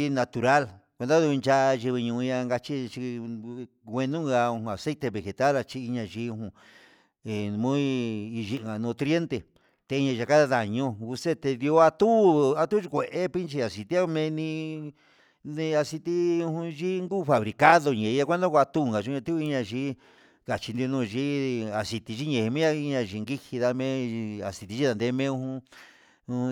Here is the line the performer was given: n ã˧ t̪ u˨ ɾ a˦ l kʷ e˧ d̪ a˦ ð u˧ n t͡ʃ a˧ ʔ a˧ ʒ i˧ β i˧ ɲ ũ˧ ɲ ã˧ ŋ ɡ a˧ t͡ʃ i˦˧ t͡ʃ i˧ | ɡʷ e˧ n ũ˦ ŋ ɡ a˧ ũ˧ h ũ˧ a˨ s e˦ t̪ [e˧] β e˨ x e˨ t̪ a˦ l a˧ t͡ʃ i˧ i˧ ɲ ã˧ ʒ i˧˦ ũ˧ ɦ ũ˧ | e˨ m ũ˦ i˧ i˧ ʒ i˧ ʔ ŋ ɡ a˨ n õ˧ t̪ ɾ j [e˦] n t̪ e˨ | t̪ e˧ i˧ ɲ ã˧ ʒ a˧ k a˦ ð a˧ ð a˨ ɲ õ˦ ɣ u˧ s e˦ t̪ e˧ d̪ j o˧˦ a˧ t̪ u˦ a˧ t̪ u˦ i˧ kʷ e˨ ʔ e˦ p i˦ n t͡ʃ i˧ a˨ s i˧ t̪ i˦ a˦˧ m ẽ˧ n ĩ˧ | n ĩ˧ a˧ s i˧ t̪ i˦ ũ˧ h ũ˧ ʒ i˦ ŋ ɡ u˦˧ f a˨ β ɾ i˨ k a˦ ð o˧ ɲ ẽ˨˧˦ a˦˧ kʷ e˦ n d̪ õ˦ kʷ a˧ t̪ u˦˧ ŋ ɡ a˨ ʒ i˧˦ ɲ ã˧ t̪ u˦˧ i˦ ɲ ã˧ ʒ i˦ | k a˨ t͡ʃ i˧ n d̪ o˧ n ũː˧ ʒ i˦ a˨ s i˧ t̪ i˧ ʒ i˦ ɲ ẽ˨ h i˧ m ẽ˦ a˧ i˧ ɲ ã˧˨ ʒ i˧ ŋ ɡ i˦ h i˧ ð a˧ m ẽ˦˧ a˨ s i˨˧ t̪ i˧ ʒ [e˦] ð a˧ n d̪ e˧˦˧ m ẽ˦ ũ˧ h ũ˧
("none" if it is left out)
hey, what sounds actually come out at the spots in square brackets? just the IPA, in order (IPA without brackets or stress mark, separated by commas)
e˧, e˦, i˦